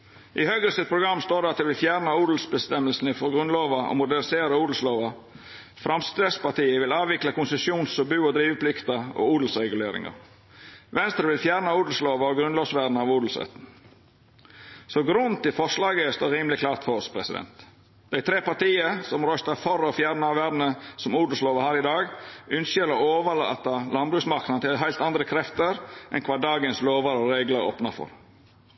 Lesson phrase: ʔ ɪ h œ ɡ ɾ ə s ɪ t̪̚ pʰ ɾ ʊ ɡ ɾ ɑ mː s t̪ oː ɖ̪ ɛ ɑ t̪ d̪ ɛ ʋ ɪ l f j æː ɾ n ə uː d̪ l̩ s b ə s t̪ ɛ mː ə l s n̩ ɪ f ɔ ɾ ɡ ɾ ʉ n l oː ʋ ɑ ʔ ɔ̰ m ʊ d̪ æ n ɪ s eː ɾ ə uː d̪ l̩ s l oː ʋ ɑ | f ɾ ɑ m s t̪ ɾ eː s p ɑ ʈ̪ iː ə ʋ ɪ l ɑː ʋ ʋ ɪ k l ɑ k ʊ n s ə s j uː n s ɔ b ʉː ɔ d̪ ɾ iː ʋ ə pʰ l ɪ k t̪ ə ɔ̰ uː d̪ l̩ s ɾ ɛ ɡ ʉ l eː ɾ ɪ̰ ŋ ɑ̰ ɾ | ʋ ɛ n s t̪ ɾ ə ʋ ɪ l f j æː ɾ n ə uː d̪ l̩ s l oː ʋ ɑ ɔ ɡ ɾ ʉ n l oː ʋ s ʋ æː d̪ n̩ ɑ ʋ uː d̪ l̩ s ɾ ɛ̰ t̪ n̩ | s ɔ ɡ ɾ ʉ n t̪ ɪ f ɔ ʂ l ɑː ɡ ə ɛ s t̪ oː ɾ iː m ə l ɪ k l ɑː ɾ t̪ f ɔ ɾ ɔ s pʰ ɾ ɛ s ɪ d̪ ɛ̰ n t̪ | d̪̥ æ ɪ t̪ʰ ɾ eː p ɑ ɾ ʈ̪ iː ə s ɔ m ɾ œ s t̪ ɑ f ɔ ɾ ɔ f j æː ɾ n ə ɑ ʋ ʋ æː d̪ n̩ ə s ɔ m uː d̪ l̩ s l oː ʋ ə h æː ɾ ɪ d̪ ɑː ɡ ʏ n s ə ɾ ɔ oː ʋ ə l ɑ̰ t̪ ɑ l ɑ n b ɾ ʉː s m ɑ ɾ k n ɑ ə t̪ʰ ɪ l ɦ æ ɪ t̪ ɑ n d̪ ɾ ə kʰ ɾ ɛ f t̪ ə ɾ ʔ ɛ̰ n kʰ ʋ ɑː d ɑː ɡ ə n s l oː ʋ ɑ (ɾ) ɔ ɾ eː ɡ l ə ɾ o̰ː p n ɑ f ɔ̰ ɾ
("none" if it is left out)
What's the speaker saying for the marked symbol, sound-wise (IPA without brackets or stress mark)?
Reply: ɾ